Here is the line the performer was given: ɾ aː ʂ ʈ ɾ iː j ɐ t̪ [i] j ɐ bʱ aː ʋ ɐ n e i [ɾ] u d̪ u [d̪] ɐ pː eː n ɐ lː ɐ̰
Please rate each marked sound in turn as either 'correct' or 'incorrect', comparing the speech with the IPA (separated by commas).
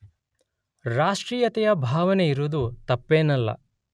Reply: incorrect, correct, incorrect